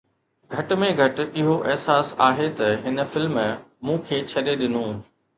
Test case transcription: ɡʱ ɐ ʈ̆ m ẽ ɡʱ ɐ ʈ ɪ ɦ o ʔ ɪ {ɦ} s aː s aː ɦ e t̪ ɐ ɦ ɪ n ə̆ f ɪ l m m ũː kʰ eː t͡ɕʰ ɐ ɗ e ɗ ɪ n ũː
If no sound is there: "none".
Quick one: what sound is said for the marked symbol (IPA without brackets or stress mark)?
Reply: ɦ